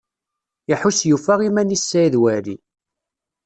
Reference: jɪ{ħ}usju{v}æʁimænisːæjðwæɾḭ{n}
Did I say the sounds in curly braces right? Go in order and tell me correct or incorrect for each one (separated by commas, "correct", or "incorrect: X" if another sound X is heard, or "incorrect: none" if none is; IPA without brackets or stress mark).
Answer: correct, incorrect: f, incorrect: none